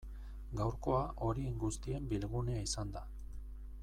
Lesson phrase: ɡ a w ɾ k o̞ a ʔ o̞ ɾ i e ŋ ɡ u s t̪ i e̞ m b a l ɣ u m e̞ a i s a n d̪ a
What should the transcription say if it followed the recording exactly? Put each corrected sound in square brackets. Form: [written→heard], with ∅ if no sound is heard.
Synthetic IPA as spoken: ɡ a w ɾ k o̞ a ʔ o̞ ɾ i e ŋ ɡ u s t̪ i e̞ m b [a→i] l ɣ u [m→n] e̞ a i s a n d̪ a